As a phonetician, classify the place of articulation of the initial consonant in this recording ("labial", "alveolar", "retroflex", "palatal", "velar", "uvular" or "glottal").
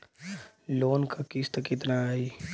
alveolar